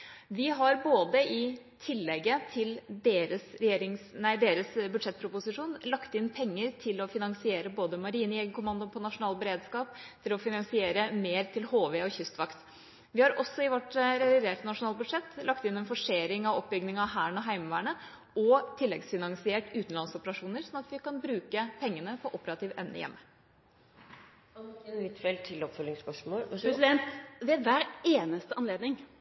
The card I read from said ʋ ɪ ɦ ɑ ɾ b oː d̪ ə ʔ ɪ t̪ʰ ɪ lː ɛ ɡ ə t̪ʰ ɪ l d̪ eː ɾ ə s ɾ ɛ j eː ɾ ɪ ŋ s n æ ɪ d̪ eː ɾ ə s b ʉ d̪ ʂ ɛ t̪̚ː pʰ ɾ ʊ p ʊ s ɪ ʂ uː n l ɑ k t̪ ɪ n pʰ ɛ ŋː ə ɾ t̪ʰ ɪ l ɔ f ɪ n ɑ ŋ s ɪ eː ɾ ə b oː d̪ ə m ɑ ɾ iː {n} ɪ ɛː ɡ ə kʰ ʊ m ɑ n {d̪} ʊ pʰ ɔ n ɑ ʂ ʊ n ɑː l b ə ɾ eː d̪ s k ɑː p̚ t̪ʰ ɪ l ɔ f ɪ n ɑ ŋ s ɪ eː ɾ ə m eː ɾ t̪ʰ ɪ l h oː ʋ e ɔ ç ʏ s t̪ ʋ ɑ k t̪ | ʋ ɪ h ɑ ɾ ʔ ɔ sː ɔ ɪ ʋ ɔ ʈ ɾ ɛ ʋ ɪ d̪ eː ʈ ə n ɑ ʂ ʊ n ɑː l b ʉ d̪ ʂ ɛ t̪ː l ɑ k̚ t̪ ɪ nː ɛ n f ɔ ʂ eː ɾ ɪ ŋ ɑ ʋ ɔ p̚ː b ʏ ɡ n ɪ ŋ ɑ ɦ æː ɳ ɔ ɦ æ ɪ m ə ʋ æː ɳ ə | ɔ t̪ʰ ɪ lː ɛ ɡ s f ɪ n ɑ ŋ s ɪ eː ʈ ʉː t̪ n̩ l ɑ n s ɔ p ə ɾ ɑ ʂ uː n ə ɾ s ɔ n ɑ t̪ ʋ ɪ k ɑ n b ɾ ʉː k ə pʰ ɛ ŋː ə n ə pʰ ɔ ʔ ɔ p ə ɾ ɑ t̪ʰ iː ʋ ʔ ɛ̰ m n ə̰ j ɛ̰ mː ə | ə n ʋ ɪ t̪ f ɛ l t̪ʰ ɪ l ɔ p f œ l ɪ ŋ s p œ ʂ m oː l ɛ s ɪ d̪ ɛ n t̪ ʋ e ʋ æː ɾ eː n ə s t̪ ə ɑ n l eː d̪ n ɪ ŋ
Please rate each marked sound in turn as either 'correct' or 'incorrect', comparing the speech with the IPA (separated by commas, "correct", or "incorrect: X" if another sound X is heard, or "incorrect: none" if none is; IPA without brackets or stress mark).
correct, correct